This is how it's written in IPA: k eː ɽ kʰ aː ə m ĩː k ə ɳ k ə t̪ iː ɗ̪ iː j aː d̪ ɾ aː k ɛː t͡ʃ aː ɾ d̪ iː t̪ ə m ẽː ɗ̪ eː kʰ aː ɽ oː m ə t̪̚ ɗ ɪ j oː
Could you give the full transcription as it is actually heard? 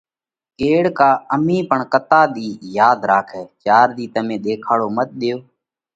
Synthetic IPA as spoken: k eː ɽ k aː ə m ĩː p ə ɳ k ə t̪ aː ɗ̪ iː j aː d̪ ɾ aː kʰ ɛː t͡ʃ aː ɾ d̪ iː t̪ ə m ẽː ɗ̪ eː kʰ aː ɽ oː m ə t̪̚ ɗ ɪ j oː